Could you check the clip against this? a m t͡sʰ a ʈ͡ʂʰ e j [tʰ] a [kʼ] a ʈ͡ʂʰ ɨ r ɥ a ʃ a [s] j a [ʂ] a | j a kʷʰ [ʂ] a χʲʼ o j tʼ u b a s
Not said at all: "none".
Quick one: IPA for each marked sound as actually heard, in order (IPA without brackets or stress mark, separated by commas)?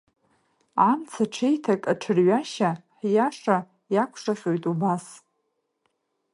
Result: tʰ, kʼ, ħ, ʂ, ʂ